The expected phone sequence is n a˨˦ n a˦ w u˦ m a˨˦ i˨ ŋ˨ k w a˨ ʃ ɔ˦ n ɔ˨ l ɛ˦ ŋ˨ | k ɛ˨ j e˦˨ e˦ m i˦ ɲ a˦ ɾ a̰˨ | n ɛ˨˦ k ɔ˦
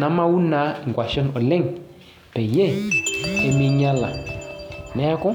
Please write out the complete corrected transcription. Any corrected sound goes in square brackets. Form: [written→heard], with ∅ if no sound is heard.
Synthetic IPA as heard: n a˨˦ [n→m] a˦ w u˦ [m→n] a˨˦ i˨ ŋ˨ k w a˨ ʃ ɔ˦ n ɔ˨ l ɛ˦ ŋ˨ | [k→p] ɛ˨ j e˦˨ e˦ m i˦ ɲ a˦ [ɾ→l] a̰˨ | n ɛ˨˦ k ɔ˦